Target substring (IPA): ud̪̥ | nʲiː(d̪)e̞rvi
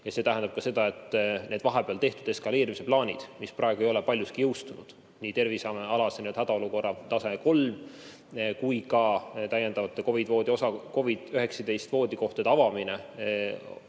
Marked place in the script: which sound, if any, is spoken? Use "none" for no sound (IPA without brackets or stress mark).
t̪